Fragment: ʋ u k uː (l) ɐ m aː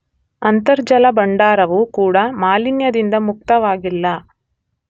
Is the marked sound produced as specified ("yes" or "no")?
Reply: no